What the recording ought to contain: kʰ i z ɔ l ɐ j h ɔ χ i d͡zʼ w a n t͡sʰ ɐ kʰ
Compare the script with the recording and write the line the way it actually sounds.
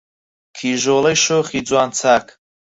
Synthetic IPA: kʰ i ʒ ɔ l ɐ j ʃ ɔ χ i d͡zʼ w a n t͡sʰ a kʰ